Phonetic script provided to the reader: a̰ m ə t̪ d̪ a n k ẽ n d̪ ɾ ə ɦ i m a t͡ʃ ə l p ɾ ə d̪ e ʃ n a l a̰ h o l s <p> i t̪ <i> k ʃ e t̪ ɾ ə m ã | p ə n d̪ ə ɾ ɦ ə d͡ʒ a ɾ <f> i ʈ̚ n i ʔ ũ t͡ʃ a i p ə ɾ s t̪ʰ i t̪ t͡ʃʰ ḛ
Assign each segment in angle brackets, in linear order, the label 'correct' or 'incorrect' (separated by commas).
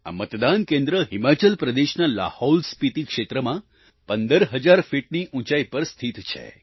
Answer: correct, correct, correct